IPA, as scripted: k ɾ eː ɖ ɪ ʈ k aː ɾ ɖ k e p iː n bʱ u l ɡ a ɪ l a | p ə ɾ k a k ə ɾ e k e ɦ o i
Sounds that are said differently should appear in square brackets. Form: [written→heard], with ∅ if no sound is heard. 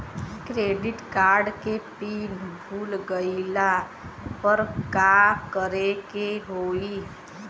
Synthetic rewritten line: k ɾ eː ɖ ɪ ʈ k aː ɾ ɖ k e p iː n bʱ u l ɡ [a→ə] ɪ l a | p ə ɾ k a k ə ɾ e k e ɦ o i